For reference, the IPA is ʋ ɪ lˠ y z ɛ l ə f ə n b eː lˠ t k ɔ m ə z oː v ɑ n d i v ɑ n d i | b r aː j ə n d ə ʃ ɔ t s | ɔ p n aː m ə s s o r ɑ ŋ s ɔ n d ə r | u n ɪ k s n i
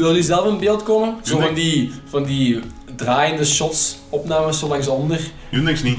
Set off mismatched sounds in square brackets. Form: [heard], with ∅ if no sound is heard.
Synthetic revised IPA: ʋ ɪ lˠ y z ɛ l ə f ə n b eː lˠ t k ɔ m ə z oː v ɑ n d i v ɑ n d i | [d] r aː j ə n d ə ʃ ɔ t s | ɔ p n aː m ə s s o [l] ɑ ŋ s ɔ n d ə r | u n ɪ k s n i